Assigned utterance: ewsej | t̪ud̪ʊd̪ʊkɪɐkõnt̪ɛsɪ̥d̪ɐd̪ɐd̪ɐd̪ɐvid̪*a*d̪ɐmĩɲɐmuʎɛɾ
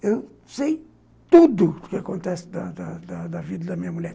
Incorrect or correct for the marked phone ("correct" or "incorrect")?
incorrect